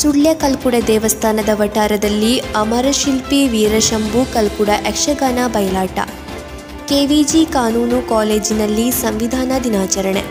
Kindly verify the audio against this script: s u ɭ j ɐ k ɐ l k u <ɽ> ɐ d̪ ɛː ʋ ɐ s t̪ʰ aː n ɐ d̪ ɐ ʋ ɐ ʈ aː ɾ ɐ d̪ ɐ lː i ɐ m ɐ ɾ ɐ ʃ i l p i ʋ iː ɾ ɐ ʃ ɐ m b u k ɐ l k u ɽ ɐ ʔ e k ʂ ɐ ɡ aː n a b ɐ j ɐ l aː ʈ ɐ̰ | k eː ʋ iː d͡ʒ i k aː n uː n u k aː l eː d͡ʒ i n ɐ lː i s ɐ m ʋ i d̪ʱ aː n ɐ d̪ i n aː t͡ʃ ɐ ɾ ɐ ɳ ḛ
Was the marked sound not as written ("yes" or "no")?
no